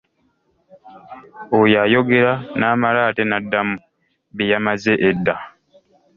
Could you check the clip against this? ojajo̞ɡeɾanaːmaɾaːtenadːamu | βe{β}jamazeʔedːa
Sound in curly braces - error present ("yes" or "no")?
yes